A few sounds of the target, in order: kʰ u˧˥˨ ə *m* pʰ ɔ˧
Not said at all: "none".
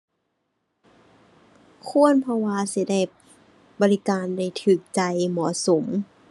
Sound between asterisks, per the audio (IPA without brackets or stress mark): n